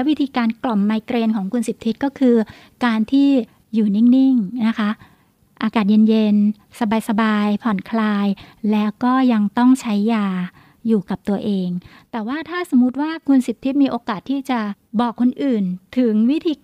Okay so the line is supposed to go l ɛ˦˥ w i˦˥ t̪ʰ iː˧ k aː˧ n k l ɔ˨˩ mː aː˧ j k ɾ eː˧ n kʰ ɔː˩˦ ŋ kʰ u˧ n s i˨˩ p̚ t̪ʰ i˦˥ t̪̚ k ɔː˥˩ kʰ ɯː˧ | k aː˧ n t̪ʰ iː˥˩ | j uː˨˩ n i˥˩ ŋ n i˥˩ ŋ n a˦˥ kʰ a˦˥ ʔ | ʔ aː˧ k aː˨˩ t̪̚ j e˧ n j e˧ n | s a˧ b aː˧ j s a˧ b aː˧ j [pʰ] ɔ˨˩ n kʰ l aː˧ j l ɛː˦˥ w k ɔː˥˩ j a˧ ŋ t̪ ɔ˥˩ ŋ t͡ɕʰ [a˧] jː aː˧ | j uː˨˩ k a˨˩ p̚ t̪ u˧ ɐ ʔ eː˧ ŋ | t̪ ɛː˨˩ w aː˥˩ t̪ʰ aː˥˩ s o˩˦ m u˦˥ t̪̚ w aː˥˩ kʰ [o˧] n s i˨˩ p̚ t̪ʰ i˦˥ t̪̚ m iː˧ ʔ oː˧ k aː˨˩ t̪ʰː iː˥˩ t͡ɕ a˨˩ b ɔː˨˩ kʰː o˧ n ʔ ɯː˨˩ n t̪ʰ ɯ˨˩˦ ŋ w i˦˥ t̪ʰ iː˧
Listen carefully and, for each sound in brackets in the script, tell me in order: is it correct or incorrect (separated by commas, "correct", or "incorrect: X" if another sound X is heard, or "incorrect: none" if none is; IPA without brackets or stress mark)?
correct, incorrect: a˦˥, incorrect: u˧